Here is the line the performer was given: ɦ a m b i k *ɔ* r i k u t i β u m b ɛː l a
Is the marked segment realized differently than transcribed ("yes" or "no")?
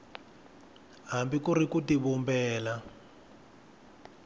yes